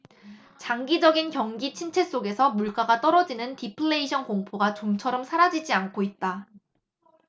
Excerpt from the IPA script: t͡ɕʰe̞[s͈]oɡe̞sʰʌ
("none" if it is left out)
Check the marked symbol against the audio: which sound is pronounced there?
s͈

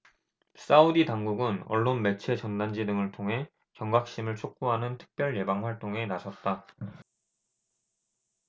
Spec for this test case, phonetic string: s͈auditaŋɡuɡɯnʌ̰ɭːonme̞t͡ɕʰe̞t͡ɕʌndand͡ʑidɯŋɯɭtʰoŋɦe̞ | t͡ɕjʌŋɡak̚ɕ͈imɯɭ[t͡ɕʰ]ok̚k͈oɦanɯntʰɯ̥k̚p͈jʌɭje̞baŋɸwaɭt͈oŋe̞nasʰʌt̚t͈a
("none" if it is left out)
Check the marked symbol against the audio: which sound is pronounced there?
t͡ɕʰ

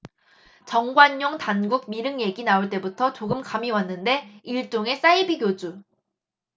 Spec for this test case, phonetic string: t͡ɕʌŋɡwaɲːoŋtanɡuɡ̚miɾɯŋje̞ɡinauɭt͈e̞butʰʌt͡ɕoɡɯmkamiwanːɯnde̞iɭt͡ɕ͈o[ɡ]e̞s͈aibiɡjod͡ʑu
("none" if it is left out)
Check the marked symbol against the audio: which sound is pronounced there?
ŋ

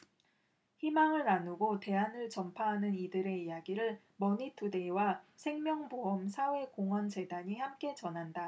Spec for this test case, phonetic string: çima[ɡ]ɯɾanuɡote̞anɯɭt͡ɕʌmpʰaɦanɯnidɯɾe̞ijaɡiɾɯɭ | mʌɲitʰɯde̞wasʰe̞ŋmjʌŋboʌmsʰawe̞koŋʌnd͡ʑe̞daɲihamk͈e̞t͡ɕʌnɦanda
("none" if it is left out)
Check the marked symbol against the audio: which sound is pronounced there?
ŋ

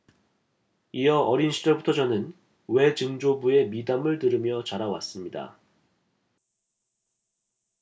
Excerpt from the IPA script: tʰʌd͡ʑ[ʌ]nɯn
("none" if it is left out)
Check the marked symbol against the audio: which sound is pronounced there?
ʌ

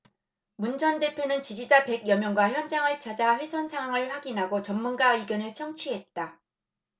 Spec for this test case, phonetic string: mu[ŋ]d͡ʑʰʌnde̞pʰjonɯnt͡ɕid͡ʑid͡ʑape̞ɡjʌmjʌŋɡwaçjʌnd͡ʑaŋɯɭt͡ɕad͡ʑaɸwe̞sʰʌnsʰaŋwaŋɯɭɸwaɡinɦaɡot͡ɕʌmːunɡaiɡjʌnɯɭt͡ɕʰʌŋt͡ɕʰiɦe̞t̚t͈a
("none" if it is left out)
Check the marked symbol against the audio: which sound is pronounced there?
n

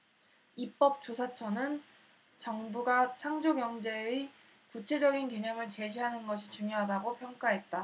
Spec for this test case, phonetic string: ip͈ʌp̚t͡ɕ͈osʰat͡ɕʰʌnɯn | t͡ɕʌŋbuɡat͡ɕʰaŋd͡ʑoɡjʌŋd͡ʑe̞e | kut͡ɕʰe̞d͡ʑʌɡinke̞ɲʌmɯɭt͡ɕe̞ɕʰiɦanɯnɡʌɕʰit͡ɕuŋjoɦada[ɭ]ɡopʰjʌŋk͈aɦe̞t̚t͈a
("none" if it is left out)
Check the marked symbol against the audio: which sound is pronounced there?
none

